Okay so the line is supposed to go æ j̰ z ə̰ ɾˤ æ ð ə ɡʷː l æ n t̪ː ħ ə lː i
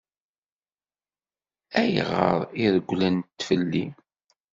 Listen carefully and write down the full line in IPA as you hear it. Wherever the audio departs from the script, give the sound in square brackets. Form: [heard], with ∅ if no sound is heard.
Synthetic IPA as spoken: æ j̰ [ʁ] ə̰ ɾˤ [i] ð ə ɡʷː l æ n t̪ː [f] ə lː i